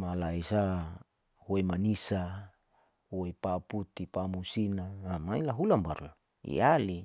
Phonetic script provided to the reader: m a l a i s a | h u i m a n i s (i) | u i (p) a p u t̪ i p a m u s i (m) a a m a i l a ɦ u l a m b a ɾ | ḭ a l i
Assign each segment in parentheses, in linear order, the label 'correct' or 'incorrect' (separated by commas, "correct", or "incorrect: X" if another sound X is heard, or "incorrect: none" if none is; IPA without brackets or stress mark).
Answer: incorrect: a, correct, incorrect: n